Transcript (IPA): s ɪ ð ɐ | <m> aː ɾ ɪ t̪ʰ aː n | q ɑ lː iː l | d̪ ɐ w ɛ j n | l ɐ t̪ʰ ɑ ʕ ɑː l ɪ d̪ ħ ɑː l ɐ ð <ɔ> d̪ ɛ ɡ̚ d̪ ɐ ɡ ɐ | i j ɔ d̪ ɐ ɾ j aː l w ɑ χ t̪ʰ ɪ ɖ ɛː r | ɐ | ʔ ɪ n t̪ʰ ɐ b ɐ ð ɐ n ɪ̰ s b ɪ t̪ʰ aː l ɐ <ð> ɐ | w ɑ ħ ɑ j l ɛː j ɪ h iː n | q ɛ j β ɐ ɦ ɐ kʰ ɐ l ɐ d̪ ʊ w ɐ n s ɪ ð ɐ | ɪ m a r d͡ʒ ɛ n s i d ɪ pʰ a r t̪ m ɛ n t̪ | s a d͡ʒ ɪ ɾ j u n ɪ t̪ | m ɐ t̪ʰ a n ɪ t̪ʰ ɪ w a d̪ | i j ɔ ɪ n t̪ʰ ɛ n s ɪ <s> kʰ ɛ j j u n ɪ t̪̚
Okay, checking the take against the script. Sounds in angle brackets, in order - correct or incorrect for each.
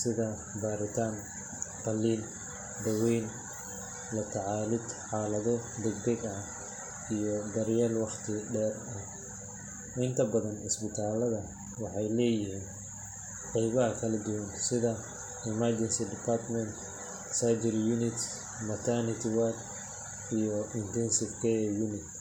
incorrect: b, correct, correct, incorrect: f

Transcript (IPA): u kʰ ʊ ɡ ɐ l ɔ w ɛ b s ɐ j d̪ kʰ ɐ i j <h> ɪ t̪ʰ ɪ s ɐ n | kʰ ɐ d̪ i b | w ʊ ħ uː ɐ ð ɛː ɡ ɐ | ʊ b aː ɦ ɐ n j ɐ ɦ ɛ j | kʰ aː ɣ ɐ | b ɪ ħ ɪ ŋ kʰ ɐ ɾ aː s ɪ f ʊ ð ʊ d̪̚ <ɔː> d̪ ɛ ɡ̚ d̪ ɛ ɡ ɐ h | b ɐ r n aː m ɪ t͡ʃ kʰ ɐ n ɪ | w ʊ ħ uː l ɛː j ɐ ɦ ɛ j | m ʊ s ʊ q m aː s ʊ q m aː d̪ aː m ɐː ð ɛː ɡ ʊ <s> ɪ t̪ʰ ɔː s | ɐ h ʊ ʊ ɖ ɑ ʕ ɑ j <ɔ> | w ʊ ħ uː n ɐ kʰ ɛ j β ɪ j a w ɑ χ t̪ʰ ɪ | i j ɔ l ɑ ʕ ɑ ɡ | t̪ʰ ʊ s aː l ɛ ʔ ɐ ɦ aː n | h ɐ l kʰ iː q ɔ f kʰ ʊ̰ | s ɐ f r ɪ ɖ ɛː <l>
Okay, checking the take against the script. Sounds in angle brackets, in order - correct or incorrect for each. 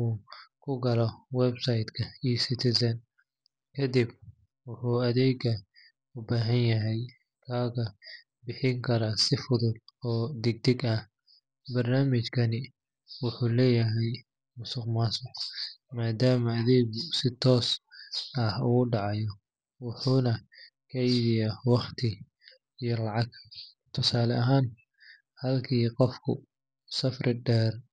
incorrect: s, correct, correct, correct, incorrect: r

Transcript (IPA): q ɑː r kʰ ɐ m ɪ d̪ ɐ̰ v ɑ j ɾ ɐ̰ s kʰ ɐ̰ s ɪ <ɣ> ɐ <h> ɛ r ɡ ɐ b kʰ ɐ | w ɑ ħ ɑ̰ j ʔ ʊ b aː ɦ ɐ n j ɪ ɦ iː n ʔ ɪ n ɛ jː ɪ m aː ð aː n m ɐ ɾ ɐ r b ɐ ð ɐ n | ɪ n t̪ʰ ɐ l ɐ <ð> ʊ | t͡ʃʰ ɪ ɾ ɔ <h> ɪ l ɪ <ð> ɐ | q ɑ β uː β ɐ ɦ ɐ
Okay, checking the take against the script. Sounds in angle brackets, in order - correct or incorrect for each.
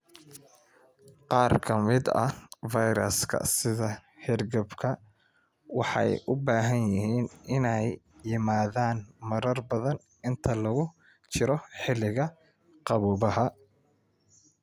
incorrect: ð, correct, incorrect: ɣ, incorrect: ħ, incorrect: ɣ

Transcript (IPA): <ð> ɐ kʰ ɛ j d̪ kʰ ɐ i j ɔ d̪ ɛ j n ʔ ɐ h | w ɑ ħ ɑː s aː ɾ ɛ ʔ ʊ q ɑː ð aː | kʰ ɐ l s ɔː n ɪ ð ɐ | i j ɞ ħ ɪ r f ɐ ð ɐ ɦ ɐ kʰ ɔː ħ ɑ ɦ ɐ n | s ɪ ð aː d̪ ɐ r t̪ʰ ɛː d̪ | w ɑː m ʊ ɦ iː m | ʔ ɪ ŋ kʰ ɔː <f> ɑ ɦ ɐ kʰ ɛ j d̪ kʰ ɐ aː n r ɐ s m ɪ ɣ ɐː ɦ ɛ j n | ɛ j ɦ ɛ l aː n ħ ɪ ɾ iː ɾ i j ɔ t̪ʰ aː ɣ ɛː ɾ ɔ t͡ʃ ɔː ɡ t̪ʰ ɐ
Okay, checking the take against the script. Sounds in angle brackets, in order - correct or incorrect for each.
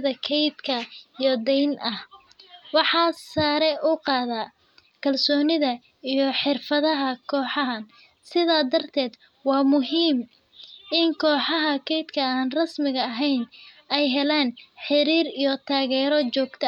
correct, incorrect: ħ

